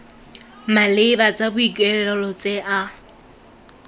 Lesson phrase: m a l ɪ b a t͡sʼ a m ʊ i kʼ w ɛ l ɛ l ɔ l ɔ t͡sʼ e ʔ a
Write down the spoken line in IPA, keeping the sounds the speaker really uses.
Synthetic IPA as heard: m a l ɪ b a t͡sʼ a b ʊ i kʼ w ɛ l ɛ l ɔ l ɔ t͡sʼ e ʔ a